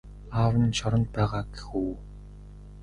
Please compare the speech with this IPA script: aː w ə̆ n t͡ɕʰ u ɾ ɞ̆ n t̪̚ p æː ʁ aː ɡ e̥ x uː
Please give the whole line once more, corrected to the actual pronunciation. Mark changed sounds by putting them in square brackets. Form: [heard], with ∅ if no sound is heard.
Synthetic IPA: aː w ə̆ n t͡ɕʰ [ɔ] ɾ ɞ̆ n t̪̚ p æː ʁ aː ɡ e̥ x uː